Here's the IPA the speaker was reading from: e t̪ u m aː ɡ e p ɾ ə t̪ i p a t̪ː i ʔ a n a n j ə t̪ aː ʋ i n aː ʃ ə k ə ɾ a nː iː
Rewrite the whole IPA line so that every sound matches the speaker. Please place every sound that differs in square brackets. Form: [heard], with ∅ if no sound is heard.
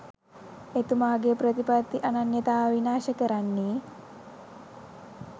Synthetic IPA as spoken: e t̪ u m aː ɡ e p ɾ ə t̪ i p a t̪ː i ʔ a n a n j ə t̪ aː ʋ i n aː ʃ ə k ə ɾ a nː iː